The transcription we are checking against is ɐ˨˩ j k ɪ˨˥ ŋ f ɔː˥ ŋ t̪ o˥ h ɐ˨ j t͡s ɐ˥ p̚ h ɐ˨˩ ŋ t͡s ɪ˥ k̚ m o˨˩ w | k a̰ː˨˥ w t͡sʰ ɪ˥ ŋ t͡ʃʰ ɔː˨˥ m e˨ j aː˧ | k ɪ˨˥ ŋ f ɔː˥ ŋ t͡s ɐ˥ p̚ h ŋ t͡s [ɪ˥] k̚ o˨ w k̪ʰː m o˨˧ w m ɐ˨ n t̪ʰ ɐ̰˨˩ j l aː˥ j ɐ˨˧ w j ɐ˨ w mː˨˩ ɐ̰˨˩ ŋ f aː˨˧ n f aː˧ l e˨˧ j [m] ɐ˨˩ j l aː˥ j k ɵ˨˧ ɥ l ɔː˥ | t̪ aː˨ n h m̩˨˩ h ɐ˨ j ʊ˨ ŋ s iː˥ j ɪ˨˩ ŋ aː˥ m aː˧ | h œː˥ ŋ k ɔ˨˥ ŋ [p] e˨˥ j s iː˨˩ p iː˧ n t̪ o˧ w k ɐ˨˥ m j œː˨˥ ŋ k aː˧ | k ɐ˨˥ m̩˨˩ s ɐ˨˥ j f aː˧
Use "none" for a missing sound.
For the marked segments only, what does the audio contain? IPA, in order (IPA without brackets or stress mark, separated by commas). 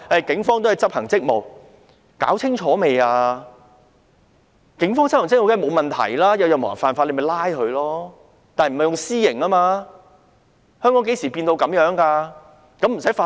ɪ˥, m, k